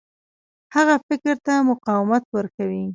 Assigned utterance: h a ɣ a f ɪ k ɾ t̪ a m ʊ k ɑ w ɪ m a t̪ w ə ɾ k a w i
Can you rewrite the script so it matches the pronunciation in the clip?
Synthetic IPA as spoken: h a ɣ a f ɪ k ɾ t̪ a m ʊ q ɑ w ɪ m a t̪ w ə ɾ k a w i

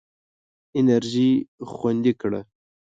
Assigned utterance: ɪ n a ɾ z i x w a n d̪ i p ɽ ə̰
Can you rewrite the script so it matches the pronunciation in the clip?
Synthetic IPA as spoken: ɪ n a ɾ ʒ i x w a n d̪ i k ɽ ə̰

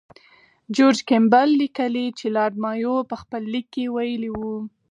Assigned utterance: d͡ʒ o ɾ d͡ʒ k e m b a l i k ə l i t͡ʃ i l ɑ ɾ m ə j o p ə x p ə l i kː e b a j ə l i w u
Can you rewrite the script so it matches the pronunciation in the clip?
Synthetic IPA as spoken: d͡ʒ o ɾ d͡ʒ k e m b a lː i k ə l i t͡ʃ e l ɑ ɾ m ɑ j o p ə x p ə lː i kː e w a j ə l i w u

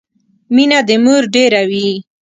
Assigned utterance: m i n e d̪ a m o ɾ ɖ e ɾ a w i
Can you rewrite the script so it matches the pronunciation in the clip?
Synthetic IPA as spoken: m i n a d̪ ə m u ɾ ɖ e ɾ a w i

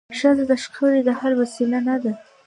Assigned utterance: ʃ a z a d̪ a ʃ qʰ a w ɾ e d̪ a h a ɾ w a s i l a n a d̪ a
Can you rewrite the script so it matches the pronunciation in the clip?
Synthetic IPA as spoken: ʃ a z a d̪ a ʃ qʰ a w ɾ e d̪ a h a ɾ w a s i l a n a d̪ a

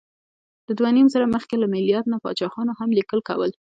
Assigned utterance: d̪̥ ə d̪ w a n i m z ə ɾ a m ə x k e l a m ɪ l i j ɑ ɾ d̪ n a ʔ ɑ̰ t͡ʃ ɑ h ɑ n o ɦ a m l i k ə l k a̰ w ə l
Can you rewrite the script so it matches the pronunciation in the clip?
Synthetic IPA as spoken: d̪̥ ə d̪ w a n i m z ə ɾ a m ə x k e l a m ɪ l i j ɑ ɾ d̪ n a p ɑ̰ t͡ʃ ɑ x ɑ n o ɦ a m l i k ə l k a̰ w ə l

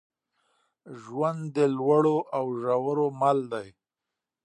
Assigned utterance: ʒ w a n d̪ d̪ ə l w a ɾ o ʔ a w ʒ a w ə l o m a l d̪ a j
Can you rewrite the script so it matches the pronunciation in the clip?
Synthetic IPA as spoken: ʒ w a n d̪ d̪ ə l w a ɽ o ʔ a w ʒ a w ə ɾ o m a l d̪ a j

